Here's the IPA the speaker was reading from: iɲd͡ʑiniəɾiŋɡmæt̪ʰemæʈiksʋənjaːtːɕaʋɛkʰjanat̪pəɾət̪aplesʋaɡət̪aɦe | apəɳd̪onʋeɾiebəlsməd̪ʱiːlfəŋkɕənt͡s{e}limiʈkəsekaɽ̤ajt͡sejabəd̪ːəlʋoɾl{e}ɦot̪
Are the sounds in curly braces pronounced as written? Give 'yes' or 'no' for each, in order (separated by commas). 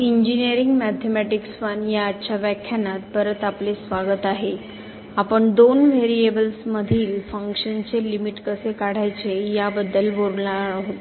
yes, no